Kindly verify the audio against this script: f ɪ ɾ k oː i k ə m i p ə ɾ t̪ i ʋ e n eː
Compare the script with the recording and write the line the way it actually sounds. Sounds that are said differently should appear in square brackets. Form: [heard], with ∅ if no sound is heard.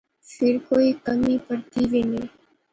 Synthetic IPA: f ɪ ɾ k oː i k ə m i p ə ɾ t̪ i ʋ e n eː